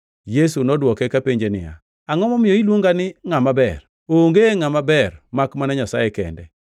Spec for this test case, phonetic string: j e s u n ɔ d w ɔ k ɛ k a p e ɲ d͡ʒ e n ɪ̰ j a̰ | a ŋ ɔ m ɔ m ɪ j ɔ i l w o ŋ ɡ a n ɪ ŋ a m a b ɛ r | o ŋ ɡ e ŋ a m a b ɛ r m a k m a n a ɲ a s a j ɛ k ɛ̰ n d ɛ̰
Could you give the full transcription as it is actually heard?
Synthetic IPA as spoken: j e s u n ɔ d w ɔ k ɛ k a p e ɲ d͡ʒ e n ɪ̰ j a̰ | a ŋ ɔ m ɔ m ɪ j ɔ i l w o ŋ ɡ a n ɪ ŋ a m a b ɛ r | o ŋ ɡ e ŋ a m a b ɛ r m a k m a n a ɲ a s a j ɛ k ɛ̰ n d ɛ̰